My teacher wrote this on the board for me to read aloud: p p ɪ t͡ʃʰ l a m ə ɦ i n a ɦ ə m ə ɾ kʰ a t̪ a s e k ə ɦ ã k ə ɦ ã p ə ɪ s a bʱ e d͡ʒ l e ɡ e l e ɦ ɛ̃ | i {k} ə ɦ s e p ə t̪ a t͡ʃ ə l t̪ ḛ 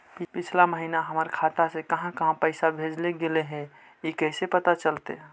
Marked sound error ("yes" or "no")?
no